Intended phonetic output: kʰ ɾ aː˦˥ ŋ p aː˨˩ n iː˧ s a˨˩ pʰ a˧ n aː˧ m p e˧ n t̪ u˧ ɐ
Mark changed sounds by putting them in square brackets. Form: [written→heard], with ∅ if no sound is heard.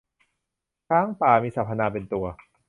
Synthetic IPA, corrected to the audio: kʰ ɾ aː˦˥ ŋ p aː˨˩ [n→m] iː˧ s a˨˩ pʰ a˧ n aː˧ [m→∅] p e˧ n t̪ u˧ ɐ